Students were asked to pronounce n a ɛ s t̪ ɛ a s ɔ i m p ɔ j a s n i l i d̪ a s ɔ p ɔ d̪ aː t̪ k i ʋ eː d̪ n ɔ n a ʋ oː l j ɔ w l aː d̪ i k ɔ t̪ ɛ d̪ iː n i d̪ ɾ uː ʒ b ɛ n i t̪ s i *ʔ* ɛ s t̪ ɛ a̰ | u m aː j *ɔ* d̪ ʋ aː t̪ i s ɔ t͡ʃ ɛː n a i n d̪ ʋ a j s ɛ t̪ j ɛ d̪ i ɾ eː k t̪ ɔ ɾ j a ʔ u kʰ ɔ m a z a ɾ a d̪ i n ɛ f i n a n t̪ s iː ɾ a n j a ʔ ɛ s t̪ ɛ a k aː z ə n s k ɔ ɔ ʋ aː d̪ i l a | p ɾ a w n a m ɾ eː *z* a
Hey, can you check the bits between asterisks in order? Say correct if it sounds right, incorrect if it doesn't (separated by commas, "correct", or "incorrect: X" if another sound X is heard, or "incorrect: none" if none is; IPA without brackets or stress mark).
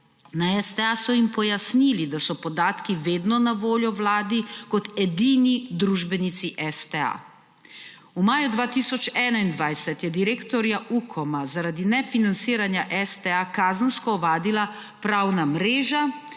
correct, incorrect: u, incorrect: ʒ